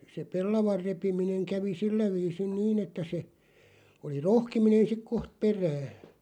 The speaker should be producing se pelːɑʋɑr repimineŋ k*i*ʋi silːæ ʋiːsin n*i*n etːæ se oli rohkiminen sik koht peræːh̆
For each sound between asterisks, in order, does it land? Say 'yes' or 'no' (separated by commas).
no, no